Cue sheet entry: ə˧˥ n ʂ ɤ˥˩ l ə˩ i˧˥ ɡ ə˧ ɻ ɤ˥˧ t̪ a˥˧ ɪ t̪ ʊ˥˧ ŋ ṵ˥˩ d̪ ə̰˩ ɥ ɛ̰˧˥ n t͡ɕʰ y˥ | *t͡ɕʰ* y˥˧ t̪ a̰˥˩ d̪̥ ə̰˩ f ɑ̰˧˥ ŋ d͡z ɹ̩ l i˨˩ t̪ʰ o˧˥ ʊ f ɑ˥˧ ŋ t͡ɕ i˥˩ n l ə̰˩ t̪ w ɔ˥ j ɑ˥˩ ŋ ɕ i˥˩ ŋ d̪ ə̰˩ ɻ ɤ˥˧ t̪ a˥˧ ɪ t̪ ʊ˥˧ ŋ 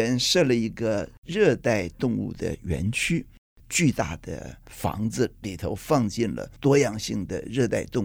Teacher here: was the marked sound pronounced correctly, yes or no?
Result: no